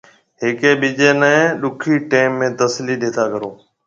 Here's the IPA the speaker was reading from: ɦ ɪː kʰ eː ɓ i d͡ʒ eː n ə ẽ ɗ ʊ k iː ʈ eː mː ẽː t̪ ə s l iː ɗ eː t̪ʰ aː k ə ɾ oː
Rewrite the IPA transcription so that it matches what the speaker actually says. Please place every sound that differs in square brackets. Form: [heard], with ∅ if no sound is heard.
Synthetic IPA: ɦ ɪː [k] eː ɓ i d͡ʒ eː n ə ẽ ɗ ʊ [kʰ] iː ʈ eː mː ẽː t̪ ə s l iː ɗ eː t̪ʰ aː k ə ɾ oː